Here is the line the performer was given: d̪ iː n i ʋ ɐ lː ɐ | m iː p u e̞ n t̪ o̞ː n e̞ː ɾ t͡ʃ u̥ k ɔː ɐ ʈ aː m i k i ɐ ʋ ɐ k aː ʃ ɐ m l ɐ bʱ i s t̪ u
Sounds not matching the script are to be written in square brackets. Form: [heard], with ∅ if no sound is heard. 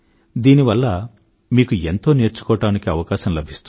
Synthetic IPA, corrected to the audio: d̪ iː n i ʋ ɐ lː ɐ | m iː [k] u e̞ n t̪ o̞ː n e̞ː ɾ t͡ʃ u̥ k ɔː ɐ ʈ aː [n] i k i ɐ ʋ ɐ k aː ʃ ɐ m l ɐ bʱ i s t̪ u